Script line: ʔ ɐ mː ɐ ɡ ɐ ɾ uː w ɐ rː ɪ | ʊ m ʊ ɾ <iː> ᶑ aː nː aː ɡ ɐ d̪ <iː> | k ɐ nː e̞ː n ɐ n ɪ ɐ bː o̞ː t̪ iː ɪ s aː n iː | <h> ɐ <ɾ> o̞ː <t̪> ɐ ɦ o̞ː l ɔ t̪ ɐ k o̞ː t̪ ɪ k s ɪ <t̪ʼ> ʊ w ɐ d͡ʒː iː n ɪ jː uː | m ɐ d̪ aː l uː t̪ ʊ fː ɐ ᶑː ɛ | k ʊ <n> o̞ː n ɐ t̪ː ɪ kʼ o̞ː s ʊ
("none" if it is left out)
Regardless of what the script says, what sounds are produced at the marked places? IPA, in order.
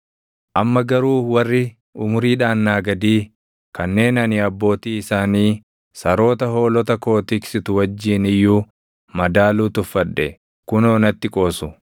iː, iː, s, ɾ, t̪, t̪, n

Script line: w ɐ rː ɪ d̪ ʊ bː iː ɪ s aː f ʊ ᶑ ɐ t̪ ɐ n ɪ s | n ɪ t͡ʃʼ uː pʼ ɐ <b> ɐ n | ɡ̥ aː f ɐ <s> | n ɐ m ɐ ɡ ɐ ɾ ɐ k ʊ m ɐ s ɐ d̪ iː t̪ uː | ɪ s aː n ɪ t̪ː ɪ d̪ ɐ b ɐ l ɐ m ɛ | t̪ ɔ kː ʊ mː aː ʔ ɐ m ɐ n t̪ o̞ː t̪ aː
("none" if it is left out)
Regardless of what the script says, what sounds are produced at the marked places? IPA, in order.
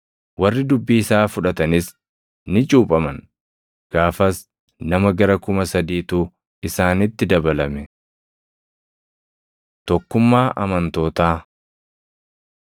m, s

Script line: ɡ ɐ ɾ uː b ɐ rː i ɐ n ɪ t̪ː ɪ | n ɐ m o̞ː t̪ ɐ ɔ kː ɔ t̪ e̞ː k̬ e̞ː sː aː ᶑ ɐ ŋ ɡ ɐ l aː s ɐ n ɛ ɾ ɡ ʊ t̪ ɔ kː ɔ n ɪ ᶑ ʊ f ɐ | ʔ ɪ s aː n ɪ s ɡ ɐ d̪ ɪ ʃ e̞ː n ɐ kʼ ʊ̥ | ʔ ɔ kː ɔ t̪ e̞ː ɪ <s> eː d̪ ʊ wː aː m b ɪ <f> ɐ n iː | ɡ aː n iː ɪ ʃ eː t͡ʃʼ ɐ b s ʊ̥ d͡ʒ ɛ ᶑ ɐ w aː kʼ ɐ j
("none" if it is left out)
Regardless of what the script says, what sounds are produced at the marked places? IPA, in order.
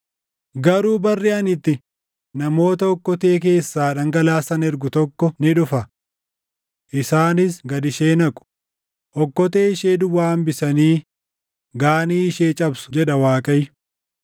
ʃ, s

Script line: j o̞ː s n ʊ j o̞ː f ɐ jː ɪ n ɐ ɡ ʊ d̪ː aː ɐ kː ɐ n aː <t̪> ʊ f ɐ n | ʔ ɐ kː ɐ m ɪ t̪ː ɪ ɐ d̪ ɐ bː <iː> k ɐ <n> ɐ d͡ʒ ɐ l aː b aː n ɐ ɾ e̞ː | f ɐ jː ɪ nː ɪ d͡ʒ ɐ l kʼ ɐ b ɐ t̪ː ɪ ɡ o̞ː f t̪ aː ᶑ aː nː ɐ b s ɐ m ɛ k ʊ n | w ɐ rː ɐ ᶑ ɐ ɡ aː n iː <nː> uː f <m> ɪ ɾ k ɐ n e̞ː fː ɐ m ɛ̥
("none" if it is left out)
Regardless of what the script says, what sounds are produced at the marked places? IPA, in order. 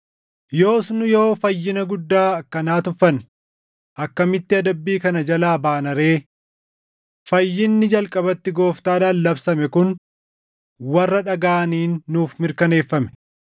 t̪, iː, n, nː, m

